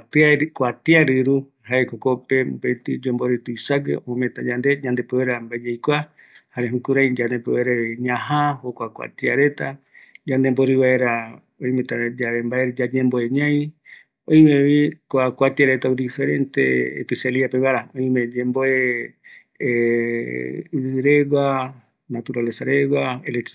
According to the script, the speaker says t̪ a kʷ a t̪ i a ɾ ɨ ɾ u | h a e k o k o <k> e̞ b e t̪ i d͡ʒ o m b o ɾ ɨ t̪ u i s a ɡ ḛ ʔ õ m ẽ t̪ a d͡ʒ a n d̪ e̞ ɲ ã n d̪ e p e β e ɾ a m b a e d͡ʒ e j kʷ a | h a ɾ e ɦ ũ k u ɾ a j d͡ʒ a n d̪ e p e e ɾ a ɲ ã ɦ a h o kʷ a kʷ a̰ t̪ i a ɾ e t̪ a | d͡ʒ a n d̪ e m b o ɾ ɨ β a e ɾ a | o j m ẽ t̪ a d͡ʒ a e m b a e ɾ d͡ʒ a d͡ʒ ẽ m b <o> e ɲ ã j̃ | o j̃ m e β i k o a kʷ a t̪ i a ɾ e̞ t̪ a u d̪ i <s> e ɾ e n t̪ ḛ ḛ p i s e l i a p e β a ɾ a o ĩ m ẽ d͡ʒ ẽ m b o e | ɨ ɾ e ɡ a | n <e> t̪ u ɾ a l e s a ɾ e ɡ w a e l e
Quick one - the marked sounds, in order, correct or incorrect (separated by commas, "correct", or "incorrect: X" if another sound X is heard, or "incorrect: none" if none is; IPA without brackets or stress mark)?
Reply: incorrect: p, correct, incorrect: f, incorrect: a